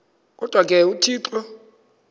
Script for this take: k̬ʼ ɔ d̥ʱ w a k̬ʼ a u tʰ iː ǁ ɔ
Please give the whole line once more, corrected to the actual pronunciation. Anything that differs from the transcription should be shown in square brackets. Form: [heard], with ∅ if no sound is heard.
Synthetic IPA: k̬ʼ ɔ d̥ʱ w a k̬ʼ [ɛ] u tʰ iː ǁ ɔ